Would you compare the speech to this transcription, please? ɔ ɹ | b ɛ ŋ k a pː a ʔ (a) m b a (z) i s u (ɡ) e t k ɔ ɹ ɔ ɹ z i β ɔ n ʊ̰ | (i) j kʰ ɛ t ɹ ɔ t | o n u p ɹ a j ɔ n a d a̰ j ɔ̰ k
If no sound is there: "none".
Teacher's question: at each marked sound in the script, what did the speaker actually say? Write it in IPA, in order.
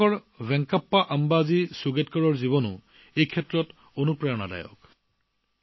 a, z, ɡ, e

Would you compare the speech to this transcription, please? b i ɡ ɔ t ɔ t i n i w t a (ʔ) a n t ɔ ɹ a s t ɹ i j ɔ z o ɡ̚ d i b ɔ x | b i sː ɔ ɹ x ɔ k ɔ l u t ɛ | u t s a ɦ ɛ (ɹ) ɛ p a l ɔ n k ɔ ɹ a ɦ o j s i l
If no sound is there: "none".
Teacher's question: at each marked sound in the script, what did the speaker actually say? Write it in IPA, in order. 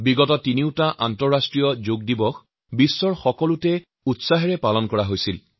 ʔ, ɹ

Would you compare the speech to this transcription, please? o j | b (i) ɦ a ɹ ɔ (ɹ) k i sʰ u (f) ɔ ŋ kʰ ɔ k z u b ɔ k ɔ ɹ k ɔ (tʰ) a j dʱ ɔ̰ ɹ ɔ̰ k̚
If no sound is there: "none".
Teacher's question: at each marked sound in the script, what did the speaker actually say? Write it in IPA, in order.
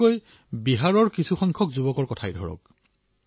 i, ɹ, x, tʰ

